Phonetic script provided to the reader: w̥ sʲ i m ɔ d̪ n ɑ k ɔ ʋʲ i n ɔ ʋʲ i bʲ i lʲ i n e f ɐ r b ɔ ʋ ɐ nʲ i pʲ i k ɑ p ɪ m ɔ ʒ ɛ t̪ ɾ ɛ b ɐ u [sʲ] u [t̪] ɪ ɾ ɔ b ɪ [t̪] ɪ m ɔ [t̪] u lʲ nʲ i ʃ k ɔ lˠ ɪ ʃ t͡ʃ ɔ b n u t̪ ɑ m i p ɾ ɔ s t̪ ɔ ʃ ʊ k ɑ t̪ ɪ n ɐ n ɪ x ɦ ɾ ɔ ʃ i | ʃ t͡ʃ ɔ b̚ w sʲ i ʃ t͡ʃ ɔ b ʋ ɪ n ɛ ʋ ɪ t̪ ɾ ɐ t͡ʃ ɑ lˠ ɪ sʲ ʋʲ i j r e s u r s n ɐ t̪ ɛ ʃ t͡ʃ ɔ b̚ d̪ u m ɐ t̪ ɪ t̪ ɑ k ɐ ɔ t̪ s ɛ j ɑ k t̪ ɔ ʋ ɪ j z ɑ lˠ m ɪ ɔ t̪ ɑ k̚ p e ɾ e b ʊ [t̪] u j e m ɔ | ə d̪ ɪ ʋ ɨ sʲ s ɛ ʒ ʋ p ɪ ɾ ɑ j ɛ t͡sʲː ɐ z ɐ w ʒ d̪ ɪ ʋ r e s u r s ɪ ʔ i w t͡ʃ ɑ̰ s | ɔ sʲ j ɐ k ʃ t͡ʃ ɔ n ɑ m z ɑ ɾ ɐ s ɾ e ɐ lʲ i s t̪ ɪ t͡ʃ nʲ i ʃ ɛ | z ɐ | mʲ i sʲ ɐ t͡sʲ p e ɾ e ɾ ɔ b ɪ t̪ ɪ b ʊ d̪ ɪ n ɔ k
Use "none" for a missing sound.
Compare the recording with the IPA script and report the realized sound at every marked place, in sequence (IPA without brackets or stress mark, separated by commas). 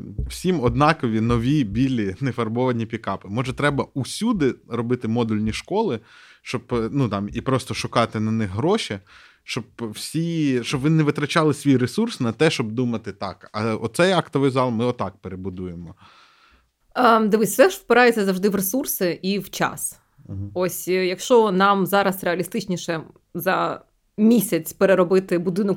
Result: sʲ, d̪, t̪, d̪, d̪